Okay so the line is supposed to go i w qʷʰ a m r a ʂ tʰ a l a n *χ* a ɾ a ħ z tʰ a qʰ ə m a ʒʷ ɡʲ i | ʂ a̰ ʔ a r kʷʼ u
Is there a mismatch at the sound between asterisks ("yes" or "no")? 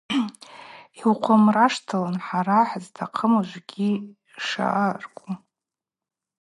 yes